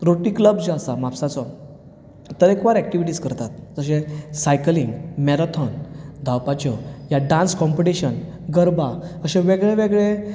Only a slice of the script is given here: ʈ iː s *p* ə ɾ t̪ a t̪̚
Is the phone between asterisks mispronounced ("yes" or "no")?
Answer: yes